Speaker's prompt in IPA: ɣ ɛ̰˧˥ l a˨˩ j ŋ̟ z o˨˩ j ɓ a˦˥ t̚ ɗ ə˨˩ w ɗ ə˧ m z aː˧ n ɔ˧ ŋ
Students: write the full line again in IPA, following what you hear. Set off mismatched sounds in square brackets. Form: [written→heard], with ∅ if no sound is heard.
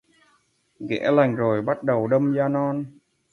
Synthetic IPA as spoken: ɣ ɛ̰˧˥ l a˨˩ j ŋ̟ z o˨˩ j ɓ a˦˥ t̚ ɗ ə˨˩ w ɗ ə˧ m z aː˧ n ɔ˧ [ŋ→n]